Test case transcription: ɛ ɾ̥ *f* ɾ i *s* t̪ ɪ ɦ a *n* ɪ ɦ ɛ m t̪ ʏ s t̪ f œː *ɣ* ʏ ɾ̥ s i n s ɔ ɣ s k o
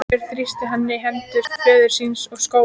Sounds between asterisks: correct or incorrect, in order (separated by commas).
incorrect, correct, incorrect, incorrect